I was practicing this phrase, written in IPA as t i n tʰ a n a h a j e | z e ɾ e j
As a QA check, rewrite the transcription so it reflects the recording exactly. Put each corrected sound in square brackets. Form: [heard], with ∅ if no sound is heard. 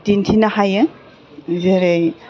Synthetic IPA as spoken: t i n tʰ [i] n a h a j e | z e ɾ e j